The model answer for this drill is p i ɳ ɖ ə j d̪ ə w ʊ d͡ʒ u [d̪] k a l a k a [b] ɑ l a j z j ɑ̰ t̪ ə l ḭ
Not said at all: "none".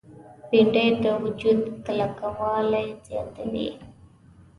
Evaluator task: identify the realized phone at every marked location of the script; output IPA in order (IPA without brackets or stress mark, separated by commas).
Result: d̪, w